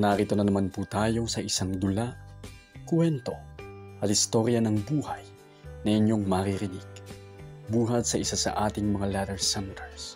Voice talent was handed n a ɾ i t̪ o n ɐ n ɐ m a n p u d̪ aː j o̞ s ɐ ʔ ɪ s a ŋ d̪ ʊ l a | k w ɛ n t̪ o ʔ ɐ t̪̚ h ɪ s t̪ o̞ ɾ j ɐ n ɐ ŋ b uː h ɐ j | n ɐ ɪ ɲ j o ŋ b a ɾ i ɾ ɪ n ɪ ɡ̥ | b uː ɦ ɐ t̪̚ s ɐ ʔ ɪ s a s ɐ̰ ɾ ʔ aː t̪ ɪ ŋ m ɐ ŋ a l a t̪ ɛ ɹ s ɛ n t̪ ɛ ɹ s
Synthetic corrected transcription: n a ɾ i t̪ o n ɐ n ɐ m a n p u t̪ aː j o̞ s ɐ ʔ ɪ s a ŋ d̪ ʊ l a | k w ɛ n t̪ o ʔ ɐ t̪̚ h ɪ s t̪ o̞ ɾ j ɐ n ɐ ŋ b uː h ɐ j | n ɐ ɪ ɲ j o ŋ m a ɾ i ɾ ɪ n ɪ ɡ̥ | b uː ɦ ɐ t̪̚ s ɐ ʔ ɪ s a s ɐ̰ ʔ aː t̪ ɪ ŋ m ɐ ŋ a l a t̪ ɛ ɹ s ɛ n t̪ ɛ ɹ s